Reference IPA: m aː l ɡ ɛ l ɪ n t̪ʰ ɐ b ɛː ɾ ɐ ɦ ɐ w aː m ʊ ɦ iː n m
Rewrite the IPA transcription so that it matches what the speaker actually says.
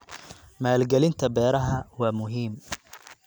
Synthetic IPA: m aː l ɡ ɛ l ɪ n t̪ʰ ɐ b ɛː ɾ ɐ ɦ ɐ w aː m ʊ ɦ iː m